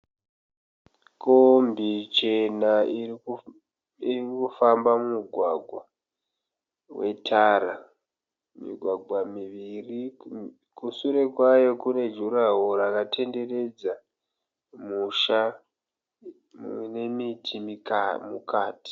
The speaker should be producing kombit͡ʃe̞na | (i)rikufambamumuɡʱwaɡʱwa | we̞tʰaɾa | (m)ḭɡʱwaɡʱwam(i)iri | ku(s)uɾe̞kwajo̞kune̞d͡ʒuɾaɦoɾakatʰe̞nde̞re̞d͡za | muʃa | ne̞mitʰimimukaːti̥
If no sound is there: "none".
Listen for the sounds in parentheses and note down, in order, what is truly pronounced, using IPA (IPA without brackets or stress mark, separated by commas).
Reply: i, m, i, s